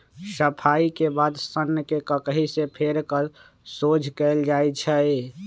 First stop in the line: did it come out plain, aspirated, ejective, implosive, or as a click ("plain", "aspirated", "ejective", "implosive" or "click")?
aspirated